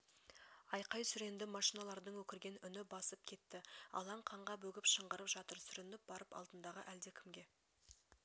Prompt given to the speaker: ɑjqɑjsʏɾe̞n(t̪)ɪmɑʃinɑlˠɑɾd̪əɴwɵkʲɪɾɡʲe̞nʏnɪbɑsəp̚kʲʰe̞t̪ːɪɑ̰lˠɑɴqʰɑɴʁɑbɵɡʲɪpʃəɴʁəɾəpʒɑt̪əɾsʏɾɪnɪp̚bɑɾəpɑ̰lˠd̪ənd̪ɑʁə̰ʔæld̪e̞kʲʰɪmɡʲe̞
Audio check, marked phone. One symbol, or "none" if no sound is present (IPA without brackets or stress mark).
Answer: d̪